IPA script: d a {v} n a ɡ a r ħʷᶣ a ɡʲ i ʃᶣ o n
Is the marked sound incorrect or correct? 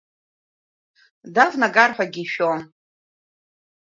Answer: correct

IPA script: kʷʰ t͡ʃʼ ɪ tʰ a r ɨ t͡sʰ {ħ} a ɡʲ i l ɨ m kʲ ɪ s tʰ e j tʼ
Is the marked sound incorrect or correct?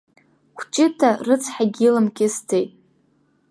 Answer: correct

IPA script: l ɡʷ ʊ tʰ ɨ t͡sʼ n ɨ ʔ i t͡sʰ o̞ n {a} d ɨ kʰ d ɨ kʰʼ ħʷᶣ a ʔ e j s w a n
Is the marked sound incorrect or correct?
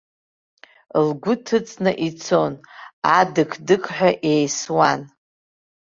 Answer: correct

